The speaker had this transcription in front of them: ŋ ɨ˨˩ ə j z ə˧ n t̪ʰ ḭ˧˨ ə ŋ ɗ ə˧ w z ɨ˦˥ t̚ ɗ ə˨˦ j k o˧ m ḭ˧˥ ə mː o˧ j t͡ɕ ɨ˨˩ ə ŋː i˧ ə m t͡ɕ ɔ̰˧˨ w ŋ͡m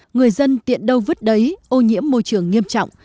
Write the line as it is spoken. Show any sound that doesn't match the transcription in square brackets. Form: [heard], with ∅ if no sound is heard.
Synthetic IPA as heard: ŋ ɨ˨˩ ə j z ə˧ n [t̪] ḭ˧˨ ə [n] ɗ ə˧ w [v] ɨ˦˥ t̚ ɗ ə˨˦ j [ʔ] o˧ [ɲ] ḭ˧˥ ə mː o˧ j t͡ɕ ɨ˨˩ ə ŋː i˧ ə m t͡ɕ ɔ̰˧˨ w ŋ͡m

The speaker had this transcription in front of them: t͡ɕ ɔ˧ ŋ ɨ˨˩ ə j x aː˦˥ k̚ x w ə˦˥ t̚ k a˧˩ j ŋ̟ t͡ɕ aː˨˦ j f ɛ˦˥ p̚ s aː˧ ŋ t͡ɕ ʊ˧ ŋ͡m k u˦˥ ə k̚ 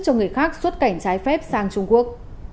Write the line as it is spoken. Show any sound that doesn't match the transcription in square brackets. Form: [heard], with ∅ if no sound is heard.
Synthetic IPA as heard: t͡ɕ ɔ˧ ŋ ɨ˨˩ ə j x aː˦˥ k̚ [s] w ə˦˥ t̚ k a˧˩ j ŋ̟ t͡ɕ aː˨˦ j f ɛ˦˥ p̚ s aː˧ ŋ t͡ɕ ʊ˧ ŋ͡m k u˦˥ ə k̚

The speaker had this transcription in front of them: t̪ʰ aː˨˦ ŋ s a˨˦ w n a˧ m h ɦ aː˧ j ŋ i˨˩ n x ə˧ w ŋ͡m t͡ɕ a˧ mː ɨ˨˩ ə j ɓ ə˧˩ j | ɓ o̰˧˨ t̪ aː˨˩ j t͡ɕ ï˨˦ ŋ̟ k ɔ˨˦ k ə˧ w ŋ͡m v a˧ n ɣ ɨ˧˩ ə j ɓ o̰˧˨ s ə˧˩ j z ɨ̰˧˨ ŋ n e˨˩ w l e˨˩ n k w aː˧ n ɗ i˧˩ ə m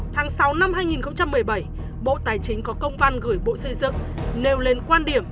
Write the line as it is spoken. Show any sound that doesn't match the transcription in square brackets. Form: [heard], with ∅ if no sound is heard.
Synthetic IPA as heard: t̪ʰ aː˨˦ ŋ s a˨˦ w n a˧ m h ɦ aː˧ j ŋ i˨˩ n x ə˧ w ŋ͡m t͡ɕ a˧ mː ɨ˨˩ ə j ɓ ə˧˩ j | ɓ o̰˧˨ t̪ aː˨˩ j t͡ɕ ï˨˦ ŋ̟ k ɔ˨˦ k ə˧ w ŋ͡m v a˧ n ɣ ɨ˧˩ ə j ɓ o̰˧˨ s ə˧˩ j z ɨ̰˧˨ ŋ n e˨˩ w l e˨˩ n k w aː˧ n ɗ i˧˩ ə m

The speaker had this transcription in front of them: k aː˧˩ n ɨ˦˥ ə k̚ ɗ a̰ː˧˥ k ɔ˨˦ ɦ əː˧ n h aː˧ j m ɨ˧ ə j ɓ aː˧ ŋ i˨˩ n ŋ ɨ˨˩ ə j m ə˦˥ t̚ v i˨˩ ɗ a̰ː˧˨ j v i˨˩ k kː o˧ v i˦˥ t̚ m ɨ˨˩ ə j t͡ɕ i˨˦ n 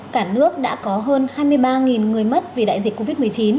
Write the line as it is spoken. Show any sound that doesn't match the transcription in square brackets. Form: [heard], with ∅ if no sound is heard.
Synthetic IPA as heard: k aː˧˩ n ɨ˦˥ ə k̚ ɗ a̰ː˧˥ k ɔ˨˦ ɦ əː˧ n h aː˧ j m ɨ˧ ə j ɓ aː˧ ŋ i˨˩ n ŋ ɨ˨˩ ə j m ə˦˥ t̚ v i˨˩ ɗ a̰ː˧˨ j [z] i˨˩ k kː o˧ v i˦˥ t̚ m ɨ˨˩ ə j t͡ɕ i˨˦ n

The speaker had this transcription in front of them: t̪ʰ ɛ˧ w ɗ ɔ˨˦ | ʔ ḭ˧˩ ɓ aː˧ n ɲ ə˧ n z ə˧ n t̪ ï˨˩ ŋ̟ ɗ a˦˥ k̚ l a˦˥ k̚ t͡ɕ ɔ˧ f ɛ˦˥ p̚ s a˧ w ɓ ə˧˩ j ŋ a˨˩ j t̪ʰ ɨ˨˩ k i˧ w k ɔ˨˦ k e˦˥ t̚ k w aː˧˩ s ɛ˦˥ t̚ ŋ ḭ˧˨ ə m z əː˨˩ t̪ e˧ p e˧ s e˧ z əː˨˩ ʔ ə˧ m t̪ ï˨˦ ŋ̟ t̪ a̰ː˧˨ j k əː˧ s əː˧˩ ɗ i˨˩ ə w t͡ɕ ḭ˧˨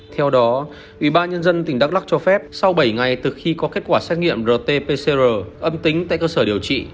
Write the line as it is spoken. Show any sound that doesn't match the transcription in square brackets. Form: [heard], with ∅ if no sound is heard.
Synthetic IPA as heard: t̪ʰ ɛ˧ w ɗ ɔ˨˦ | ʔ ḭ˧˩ ɓ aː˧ n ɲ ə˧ n z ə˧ n t̪ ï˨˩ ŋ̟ ɗ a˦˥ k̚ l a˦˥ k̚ t͡ɕ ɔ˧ f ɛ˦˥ p̚ s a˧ w ɓ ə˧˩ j ŋ a˨˩ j [t̪] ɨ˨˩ [x] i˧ [∅] k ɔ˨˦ k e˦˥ t̚ k w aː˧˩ s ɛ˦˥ t̚ ŋ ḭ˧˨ ə m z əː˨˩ t̪ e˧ p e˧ s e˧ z əː˨˩ ʔ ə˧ m t̪ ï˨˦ ŋ̟ t̪ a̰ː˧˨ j k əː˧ s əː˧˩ ɗ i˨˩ ə w t͡ɕ ḭ˧˨

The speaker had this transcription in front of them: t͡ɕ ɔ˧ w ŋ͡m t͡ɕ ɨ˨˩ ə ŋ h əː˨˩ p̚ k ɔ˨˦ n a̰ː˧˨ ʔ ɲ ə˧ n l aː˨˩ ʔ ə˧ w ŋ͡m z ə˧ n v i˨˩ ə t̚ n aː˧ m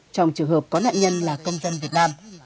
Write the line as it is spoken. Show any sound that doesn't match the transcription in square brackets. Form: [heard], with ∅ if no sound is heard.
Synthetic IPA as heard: t͡ɕ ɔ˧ w ŋ͡m t͡ɕ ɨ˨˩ ə ŋ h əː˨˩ p̚ k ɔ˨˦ n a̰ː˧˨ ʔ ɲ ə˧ n l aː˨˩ [k] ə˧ w ŋ͡m z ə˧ n v i˨˩ ə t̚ n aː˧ m

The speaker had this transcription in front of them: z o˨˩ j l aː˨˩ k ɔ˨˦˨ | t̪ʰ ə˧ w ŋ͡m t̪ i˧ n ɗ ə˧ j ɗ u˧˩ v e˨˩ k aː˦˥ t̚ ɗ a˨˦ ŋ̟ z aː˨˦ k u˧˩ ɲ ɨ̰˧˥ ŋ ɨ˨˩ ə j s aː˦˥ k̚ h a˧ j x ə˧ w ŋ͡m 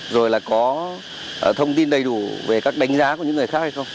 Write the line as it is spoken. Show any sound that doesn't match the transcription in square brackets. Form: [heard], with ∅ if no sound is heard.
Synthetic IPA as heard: z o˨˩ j l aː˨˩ k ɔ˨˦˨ | t̪ʰ ə˧ w ŋ͡m t̪ i˧ n ɗ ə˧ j ɗ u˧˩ v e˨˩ k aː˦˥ [k̚] ɗ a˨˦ ŋ̟ z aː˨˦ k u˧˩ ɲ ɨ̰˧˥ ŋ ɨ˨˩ ə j [x] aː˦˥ k̚ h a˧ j x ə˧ w ŋ͡m

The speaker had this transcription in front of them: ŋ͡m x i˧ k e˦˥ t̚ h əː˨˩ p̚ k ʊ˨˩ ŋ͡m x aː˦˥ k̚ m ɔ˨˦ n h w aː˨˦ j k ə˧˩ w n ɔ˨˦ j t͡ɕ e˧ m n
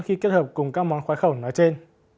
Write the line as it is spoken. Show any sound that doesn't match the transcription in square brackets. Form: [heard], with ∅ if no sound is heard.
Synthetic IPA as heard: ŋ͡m x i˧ k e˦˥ t̚ h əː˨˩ p̚ k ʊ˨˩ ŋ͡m [k] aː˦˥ k̚ m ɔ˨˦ n [x] w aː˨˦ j [x] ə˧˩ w n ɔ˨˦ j t͡ɕ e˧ [∅] n

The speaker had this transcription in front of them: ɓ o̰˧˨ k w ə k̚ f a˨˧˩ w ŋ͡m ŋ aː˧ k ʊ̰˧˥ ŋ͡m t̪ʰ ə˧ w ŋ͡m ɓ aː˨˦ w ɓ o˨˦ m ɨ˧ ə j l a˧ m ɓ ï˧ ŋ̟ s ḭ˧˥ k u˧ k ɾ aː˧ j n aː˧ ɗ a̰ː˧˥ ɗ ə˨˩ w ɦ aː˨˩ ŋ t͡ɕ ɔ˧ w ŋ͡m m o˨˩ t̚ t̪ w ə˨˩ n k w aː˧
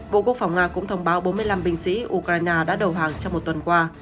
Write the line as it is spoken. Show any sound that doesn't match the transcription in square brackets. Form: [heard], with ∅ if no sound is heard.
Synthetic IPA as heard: ɓ o̰˧˨ k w ə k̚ f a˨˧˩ w ŋ͡m ŋ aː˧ k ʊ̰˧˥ ŋ͡m t̪ʰ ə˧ w ŋ͡m ɓ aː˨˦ w ɓ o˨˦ m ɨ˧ ə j l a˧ m ɓ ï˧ ŋ̟ s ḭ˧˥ [ʔ] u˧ k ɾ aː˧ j n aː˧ ɗ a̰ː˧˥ ɗ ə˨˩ w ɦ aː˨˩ ŋ t͡ɕ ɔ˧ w ŋ͡m m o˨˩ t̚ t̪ w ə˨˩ n k w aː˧

